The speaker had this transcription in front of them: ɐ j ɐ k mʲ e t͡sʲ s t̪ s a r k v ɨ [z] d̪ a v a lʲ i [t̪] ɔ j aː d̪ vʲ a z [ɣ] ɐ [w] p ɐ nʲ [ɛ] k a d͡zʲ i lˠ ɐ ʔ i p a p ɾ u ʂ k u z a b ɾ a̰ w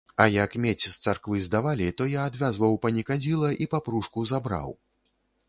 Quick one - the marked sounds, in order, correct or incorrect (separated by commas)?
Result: correct, correct, incorrect, correct, incorrect